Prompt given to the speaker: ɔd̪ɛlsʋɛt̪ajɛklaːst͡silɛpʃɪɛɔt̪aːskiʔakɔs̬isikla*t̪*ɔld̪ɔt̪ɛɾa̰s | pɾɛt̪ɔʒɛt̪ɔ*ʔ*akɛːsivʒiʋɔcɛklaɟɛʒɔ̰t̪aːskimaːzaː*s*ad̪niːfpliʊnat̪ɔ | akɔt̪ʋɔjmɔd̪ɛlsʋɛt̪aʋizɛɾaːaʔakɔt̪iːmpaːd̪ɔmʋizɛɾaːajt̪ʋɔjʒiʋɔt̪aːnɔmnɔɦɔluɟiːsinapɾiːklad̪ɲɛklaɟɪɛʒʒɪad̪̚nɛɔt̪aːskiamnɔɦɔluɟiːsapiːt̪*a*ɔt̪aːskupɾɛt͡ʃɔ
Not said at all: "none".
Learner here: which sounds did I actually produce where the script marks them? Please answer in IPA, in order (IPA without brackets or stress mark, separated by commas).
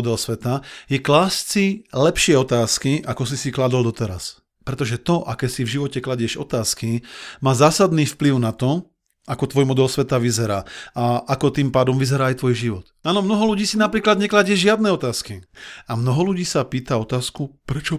d̪, ʔ, s, a